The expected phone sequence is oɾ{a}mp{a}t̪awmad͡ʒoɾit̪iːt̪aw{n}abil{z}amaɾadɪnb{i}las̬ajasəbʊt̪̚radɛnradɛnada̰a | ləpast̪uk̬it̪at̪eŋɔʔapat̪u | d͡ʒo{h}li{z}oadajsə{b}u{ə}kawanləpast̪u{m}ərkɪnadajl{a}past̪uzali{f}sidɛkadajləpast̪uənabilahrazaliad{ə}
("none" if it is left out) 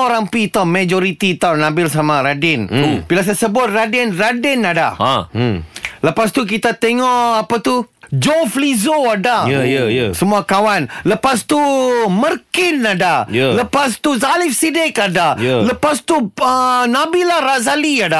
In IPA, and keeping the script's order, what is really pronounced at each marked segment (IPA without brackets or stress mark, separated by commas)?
a, i, n, s, i, f, z, m, a, m, ə, f, a